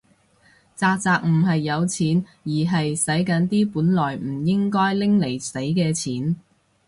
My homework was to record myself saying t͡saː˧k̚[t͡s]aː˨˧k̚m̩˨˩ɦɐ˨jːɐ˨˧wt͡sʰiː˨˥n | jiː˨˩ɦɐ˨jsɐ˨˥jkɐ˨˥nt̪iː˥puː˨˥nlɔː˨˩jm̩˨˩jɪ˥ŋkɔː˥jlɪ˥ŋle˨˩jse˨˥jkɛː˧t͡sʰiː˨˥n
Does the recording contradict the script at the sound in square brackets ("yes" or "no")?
no